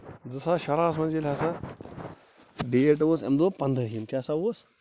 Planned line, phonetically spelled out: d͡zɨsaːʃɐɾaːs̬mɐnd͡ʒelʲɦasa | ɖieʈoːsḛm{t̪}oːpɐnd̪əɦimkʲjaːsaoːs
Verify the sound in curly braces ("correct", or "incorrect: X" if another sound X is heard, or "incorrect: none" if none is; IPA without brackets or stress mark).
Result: incorrect: d̪